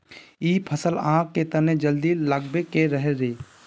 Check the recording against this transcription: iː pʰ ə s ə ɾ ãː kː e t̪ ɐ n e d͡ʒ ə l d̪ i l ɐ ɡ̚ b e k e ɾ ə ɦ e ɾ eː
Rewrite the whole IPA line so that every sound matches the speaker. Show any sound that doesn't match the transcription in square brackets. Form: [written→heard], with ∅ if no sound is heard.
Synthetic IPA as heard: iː pʰ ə s ə [ɾ→l] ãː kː e t̪ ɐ n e d͡ʒ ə l d̪ i l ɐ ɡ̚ b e k e ɾ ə ɦ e ɾ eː